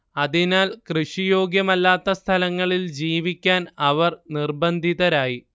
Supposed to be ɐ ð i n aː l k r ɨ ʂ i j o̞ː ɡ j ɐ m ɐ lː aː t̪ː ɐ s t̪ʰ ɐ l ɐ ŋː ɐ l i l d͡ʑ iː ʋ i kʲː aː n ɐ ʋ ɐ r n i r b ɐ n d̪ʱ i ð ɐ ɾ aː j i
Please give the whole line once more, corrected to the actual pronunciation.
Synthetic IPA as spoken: ɐ ð i n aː l k r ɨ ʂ i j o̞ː ɡ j ɐ m ɐ lː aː t̪ː ɐ s t̪ʰ ɐ l ɐ ŋː ɐ ɭ i l d͡ʑ iː ʋ i kʲː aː n ɐ ʋ ɐ r n i r b ɐ n d̪ʱ i ð ɐ ɾ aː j i